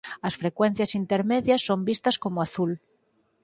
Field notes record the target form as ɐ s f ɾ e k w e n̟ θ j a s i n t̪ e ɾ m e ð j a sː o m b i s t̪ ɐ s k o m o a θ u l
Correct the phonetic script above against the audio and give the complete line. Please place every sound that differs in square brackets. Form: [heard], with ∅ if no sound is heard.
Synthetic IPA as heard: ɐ s f ɾ e k w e n̟ θ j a s i n t̪ e ɾ m e ð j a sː o m b i s t̪ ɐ s k o m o a θ u l

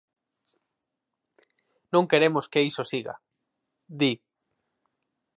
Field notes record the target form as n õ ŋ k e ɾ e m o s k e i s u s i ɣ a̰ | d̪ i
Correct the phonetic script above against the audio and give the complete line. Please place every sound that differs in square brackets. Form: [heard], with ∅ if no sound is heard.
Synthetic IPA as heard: n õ ŋ k e ɾ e m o s k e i s [o] s i ɣ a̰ | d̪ i

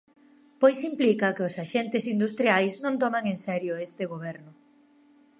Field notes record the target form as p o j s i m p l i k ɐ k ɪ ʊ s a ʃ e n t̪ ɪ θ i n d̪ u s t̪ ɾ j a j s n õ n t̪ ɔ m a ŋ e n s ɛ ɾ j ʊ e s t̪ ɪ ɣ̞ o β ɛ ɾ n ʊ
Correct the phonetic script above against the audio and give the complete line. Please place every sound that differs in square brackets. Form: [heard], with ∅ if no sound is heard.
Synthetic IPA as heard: p o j s i m p l i k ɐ k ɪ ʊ s a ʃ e n t̪ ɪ [s] i n d̪ u s t̪ ɾ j a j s n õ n t̪ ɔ m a ŋ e n s ɛ ɾ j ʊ e s t̪ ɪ ɣ̞ o β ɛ ɾ n ʊ

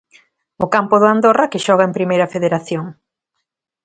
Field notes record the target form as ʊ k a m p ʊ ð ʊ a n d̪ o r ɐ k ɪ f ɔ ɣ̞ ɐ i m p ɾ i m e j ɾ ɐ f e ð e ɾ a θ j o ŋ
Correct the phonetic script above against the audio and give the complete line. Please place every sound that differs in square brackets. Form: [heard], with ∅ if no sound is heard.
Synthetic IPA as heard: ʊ k a m p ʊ ð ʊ a n d̪ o r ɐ k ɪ [ʃ] ɔ ɣ̞ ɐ [e] m p ɾ i m e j ɾ ɐ f e ð e ɾ a θ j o ŋ

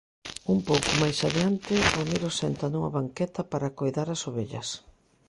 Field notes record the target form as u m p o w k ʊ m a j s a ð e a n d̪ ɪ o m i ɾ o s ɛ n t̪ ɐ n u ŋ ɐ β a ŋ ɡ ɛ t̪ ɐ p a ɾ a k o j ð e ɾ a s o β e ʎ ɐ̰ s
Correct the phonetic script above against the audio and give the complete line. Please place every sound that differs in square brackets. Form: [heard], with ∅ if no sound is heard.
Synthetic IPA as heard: u m p o w k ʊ m a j s a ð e a n [t̪] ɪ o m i ɾ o s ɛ n t̪ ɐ n u ŋ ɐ β a ŋ [k] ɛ t̪ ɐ p a ɾ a k o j ð [a] ɾ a s o β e ʎ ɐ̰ s

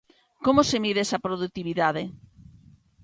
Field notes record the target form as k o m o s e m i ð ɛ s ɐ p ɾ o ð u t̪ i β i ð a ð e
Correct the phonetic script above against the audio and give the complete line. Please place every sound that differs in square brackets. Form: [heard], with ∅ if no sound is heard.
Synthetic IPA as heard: k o m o s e m i ð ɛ s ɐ p ɾ o ð u t̪ i β i ð a ð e

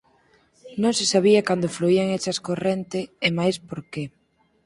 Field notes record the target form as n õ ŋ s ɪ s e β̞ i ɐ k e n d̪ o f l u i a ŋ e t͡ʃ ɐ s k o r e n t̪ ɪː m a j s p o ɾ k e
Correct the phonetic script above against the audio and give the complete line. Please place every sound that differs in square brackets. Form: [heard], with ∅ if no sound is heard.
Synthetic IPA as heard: n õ ŋ s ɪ s [a] β̞ i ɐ k [a] n d̪ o f l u i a ŋ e t͡ʃ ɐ s k o r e n t̪ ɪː m a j s p o ɾ k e

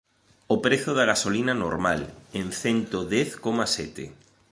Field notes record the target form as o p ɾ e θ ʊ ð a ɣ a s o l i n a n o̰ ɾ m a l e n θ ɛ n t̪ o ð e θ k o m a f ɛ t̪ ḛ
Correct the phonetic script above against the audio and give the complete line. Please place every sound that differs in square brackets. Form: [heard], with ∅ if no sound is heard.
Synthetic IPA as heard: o p ɾ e θ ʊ ð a ɣ a s o l i n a n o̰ ɾ m a l e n θ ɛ n t̪ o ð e θ k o m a [s] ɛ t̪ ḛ

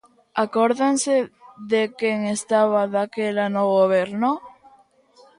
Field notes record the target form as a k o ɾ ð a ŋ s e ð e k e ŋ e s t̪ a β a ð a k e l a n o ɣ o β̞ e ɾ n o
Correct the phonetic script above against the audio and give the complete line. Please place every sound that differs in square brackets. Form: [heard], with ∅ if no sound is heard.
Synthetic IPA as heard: a k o ɾ ð a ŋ s e ð e k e ŋ e s t̪ a β a ð a k e l a n o ɣ o β̞ e ɾ n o

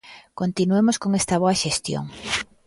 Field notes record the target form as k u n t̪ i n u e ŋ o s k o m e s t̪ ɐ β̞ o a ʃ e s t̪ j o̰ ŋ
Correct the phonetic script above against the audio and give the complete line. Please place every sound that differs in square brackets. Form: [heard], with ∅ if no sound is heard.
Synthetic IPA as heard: k [o] n t̪ i n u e [m] o s k o [ŋ] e s t̪ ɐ β̞ o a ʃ e s t̪ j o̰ ŋ

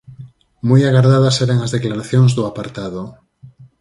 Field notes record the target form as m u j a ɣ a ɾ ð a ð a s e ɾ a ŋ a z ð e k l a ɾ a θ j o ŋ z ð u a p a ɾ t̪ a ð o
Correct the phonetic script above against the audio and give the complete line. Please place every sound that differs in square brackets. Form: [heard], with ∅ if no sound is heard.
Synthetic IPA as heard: m u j a ɣ a ɾ ð a ð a s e ɾ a ŋ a z ð e k l a ɾ a θ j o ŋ z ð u a p a ɾ t̪ a ð o

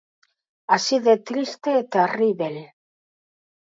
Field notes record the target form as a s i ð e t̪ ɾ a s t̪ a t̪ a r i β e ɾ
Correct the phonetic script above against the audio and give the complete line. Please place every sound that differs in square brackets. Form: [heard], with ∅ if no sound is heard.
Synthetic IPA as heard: a s i ð e t̪ ɾ [i] s t̪ [e] t̪ [e] r i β e [l]

